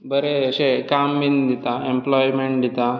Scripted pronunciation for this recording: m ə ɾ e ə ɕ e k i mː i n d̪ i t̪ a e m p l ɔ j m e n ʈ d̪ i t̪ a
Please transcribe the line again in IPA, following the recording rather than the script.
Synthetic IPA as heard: b ə ɾ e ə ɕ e k a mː i n d̪ i t̪ a e m p l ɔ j m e ɳ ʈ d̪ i t̪ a